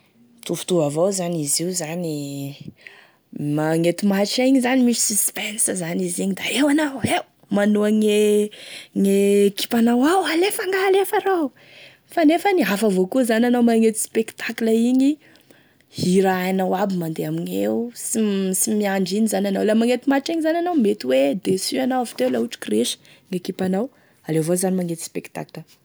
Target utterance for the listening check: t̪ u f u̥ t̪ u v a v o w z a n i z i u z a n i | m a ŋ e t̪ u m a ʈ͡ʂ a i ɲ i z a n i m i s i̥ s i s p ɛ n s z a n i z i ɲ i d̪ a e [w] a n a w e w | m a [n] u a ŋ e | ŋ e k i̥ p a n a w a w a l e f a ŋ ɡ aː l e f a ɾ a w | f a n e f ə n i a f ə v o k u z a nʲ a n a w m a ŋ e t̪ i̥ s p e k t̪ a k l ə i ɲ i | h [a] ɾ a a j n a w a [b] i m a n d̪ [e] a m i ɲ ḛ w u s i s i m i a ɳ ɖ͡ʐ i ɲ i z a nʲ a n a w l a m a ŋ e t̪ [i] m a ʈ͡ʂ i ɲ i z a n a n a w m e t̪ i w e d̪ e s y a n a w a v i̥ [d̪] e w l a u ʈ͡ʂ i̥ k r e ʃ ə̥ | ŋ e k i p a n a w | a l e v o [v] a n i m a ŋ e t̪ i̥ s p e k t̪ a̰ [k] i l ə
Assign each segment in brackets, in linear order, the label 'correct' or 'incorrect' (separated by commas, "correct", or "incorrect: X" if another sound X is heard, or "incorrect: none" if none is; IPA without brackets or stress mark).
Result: correct, correct, incorrect: i, correct, correct, correct, incorrect: t̪, incorrect: z, correct